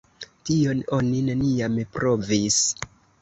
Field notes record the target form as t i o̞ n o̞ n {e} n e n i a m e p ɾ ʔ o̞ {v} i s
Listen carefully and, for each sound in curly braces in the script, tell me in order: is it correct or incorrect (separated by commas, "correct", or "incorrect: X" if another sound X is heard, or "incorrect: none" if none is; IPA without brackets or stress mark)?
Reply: incorrect: i, correct